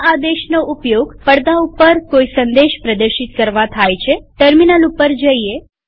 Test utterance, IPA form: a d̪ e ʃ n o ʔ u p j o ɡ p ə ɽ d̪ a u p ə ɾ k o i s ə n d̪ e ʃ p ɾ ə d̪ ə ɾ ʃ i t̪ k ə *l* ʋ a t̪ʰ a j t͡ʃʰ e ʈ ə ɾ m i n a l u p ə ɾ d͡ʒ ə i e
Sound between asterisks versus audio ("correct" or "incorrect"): incorrect